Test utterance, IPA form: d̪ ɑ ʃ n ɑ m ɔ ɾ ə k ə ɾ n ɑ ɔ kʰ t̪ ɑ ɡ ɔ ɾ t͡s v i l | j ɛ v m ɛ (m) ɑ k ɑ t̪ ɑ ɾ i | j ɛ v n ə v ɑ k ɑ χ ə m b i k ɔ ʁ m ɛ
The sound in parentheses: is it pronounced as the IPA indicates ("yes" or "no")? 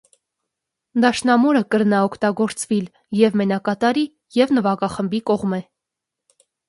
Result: no